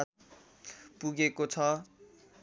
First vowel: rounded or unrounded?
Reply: rounded